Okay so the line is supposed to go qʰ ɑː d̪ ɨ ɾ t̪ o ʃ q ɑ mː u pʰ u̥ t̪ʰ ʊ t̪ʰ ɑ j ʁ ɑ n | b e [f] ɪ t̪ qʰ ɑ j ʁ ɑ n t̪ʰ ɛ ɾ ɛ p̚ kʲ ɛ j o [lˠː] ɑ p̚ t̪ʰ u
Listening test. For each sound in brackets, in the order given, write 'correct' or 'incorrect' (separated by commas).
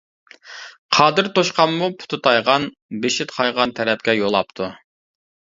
incorrect, incorrect